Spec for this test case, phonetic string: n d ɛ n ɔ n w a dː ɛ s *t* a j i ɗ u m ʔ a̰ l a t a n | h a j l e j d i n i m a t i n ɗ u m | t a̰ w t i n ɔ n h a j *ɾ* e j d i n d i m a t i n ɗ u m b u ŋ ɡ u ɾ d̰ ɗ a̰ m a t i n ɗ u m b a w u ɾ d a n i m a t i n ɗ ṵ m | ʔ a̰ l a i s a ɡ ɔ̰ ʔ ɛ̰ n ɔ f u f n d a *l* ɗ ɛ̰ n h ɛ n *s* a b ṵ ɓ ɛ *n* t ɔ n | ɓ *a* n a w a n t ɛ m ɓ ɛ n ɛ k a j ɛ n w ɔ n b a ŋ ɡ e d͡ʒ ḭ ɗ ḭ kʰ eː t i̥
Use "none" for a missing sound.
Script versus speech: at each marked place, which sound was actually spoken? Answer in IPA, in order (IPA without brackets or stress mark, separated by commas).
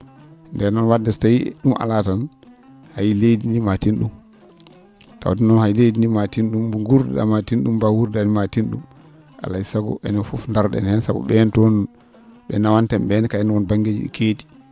t, l, ɾ, s, n, ɛ